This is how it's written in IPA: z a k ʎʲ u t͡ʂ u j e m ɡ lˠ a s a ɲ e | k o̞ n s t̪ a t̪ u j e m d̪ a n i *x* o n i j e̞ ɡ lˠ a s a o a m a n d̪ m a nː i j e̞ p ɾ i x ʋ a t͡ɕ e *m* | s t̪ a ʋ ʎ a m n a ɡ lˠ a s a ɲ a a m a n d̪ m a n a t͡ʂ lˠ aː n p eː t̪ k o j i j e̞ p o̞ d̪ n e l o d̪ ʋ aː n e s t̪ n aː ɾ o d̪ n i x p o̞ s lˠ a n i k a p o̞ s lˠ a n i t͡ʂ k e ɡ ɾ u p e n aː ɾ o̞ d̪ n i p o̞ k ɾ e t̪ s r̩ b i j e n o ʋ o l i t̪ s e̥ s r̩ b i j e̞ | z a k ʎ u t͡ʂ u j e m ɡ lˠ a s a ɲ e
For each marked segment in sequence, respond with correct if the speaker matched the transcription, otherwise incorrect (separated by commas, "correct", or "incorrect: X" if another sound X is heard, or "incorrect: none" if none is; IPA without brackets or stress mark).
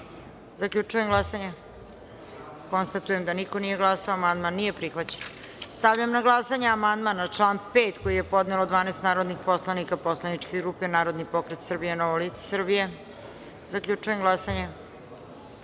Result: incorrect: k, incorrect: n